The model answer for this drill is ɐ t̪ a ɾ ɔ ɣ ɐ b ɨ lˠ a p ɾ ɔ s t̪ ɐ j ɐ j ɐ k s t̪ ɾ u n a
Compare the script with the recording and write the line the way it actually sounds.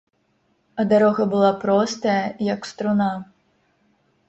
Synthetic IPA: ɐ d̪ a ɾ ɔ ɣ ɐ b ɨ lˠ a p ɾ ɔ s t̪ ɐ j ɐ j ɐ k s t̪ ɾ u n a